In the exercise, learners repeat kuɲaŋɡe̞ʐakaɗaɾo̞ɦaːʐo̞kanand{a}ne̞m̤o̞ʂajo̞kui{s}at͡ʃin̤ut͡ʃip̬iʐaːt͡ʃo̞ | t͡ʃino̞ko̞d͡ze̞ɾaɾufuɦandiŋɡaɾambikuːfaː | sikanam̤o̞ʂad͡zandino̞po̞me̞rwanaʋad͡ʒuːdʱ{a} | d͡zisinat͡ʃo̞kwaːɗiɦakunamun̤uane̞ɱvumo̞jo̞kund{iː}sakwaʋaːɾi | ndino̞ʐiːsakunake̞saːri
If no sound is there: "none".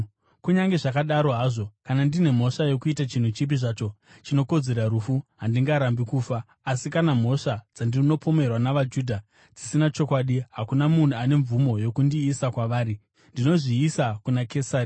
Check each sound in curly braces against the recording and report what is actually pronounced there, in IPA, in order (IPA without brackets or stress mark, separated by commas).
i, t, a, iː